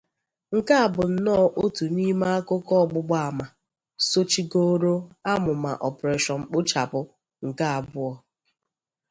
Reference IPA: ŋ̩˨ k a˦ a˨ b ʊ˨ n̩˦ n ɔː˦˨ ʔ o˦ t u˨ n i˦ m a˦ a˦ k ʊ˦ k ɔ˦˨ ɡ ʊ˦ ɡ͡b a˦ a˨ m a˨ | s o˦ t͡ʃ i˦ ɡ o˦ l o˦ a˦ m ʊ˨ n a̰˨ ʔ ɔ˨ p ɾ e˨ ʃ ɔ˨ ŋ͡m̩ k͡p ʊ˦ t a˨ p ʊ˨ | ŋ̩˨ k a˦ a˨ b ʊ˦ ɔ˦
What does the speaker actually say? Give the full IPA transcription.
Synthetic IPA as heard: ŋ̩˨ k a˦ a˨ b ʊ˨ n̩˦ n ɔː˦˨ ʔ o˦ t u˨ n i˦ m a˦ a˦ k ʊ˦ k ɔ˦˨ ɡ͡b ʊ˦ ɡ͡b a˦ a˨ m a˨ | s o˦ t͡ʃ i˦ ɡ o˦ ɾ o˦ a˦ m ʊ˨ m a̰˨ ʔ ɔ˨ p ɾ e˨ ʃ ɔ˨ ŋ͡m̩ k͡p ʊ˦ t͡ʃ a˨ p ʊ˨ | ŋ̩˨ k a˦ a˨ b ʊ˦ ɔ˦